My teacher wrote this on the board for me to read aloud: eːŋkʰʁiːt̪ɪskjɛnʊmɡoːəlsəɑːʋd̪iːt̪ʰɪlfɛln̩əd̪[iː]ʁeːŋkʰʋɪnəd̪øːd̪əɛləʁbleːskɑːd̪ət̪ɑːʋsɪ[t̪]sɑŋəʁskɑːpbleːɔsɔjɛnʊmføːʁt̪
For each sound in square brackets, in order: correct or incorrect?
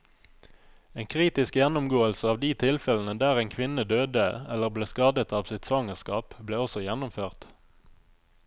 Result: incorrect: æː, correct

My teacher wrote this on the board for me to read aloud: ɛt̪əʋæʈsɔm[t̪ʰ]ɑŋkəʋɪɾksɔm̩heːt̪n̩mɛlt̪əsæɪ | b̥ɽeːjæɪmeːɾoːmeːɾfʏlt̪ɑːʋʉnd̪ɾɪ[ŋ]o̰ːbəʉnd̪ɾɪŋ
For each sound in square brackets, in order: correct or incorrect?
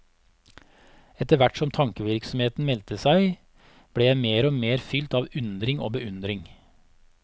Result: correct, correct

